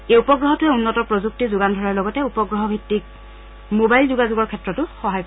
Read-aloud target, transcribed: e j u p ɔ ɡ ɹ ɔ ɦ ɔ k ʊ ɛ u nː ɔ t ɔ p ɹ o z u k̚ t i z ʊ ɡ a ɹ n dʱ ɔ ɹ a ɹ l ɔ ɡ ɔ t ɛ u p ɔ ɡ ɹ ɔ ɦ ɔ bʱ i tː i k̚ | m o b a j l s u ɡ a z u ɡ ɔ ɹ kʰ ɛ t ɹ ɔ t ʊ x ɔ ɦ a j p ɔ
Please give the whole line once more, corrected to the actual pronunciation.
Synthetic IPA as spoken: e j u p ɔ ɡ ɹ ɔ ɦ ɔ t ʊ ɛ u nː ɔ t ɔ p ɹ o z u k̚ t i z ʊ ɡ a n dʱ ɔ ɹ a ɹ l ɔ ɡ ɔ t ɛ u p ɔ ɡ ɹ ɔ ɦ ɔ bʱ i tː i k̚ | m o b a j l z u ɡ a z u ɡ ɔ ɹ kʰ ɛ t ɹ ɔ t ʊ x ɔ ɦ a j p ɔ